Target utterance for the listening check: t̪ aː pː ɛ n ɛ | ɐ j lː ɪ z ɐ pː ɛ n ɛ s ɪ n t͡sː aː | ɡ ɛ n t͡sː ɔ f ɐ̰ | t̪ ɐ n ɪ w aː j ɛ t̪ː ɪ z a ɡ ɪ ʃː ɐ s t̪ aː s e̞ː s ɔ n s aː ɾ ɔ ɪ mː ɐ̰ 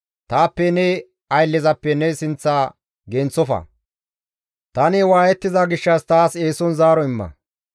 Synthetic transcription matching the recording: t̪ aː pː ɛ n ɛ | ɐ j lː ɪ z ɐ pː ɛ n ɛ s ɪ n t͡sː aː | ɡ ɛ n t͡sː ɔ f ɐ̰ | t̪ ɐ n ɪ w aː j ɛ t̪ː ɪ z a ɡ ɪ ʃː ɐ s t̪ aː s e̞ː s ɔ n z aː ɾ ɔ ɪ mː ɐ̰